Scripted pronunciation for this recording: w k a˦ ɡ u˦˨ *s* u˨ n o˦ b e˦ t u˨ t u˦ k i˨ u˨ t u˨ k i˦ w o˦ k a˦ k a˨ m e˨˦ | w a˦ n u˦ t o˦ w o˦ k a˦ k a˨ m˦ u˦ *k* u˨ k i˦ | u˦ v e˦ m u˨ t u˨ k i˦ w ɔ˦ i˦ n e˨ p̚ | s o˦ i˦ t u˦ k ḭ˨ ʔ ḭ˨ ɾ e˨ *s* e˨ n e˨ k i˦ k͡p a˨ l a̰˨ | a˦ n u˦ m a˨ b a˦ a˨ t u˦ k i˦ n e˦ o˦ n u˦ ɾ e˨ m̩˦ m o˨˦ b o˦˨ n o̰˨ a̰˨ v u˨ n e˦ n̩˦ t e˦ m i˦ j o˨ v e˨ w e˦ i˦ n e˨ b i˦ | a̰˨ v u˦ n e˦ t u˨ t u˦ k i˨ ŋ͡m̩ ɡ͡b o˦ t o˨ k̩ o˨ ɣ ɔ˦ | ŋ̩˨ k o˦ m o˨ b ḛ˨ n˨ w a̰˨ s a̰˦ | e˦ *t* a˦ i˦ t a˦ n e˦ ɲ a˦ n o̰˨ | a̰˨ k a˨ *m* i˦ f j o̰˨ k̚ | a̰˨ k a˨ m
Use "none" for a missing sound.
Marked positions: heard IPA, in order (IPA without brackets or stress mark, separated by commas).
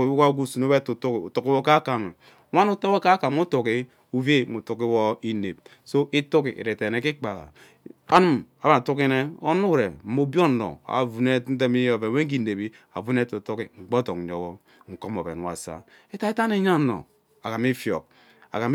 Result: s, t, t, t, m